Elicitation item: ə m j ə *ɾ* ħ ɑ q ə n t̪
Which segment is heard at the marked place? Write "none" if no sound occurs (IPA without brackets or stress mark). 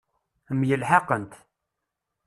l